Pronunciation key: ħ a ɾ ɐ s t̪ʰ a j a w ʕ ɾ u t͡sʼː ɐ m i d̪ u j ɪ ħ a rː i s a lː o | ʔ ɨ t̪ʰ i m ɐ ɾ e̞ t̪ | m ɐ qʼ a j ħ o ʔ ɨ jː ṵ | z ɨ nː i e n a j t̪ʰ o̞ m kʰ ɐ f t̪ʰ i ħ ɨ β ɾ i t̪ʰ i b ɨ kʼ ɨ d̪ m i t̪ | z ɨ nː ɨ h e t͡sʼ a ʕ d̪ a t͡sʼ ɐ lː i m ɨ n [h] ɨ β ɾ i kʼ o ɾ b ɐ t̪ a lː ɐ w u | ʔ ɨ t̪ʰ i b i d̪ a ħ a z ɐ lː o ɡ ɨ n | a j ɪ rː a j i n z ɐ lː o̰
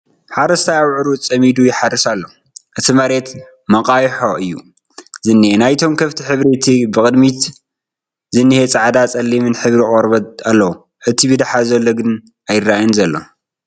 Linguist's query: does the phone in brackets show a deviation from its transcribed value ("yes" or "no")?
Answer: yes